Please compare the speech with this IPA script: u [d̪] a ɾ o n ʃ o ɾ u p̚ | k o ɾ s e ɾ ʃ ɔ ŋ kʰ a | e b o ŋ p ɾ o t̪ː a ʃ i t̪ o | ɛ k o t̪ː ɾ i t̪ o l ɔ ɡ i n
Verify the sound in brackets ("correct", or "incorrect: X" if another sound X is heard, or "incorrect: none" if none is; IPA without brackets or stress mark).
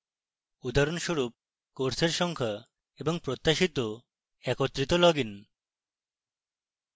correct